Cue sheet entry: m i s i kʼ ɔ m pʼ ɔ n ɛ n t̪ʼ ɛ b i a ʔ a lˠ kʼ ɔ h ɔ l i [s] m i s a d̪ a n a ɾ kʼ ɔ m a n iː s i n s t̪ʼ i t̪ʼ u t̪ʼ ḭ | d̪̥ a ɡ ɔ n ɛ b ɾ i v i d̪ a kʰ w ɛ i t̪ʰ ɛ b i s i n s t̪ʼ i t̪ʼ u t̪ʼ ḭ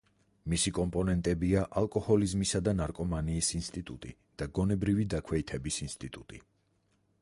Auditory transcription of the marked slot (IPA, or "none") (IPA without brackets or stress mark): z